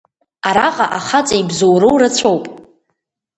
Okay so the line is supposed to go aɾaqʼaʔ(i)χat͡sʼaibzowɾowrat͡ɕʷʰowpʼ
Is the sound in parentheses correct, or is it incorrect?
incorrect